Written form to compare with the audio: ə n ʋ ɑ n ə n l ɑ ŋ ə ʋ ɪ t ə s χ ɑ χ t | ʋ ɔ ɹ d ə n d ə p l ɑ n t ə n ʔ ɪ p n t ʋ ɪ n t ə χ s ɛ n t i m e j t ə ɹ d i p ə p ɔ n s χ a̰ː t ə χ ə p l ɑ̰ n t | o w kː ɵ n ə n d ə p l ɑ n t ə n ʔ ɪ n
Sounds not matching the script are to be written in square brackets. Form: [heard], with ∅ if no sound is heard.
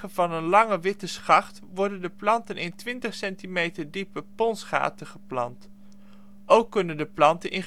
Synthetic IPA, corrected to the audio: ə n [v] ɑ n ə n l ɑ ŋ ə ʋ ɪ t ə s χ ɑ χ t | ʋ ɔ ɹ d ə n d ə p l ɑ n t ə n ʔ ɪ [∅] n t ʋ ɪ n t ə χ s ɛ n t i m e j t ə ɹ d i p ə p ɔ n s χ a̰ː t ə χ ə p l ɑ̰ n t | o w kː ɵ n ə n d ə p l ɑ n t ə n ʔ ɪ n